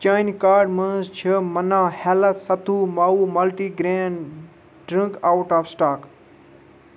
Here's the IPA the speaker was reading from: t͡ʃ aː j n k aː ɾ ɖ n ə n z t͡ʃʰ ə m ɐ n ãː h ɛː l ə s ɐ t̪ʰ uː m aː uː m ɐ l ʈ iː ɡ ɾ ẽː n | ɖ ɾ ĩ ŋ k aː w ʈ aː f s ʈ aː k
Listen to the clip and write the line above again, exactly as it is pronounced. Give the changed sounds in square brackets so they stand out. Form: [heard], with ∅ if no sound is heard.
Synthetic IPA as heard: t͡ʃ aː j n k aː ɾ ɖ [m] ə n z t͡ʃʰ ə m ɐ n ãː h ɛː l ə s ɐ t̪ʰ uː m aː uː m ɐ l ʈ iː ɡ ɾ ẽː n | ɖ ɾ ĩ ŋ k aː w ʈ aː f s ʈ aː k